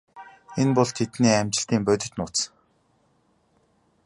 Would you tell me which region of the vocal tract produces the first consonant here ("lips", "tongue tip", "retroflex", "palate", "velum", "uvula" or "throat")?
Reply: tongue tip